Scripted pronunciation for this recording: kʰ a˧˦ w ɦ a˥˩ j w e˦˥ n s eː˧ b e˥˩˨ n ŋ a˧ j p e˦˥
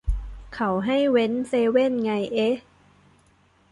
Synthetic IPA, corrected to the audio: kʰ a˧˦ w ɦ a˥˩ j w e˦˥ n s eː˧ w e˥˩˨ n ŋ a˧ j ʔ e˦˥